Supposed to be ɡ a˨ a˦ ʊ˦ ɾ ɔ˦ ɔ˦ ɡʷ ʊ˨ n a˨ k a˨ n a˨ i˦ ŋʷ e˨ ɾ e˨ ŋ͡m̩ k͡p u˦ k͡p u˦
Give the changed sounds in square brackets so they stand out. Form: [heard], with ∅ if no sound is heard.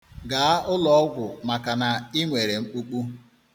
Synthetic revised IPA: ɡ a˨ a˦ ʊ˦ [l] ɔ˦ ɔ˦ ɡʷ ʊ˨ [m] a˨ k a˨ n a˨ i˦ ŋʷ e˨ ɾ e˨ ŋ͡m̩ k͡p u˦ k͡p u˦